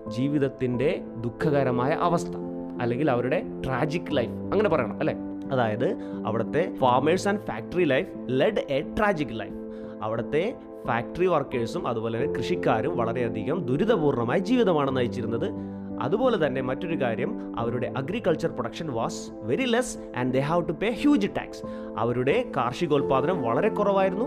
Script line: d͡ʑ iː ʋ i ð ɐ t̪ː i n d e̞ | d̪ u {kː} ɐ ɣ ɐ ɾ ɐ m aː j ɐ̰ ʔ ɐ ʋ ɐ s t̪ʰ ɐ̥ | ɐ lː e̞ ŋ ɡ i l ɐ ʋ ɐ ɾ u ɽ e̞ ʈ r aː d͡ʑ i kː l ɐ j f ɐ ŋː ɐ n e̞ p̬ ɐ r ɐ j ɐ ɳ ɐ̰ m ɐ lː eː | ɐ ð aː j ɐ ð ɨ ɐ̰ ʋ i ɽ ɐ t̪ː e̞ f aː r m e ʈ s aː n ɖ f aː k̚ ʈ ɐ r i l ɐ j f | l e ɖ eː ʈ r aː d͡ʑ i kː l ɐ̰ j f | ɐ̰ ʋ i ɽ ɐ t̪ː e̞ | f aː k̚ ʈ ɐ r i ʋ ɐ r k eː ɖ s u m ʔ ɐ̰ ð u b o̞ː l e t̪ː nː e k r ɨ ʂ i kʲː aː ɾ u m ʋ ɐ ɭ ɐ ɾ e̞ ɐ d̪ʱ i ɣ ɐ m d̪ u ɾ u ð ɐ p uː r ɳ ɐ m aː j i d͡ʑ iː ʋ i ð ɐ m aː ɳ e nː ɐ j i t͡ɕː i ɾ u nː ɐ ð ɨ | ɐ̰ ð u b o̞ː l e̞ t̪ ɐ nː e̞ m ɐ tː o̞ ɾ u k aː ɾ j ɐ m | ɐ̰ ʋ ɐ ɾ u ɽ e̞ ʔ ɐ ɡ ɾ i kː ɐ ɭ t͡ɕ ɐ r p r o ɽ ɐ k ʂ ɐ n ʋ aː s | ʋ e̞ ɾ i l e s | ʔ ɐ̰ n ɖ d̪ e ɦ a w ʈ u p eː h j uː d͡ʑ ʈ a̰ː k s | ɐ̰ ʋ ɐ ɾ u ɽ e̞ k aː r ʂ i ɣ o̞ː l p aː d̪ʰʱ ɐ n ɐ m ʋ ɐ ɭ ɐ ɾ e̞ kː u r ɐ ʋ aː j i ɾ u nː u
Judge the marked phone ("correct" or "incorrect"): incorrect